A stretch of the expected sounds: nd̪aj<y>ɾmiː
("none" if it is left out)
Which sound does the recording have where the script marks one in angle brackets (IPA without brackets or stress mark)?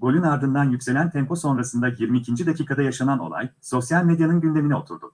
i